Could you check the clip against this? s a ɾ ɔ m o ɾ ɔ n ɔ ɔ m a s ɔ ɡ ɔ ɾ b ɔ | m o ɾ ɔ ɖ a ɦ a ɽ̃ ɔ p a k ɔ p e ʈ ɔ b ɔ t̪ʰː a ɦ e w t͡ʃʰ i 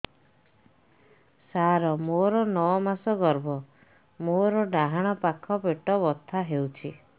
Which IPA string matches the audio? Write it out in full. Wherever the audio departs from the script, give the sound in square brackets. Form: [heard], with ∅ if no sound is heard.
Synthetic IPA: s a ɾ ɔ m o ɾ ɔ n ɔ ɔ m a s ɔ ɡ ɔ ɾ b ɔ | m o ɾ ɔ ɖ a ɦ a ɽ̃ ɔ p a [kʰ] ɔ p e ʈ ɔ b ɔ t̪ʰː a ɦ e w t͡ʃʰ i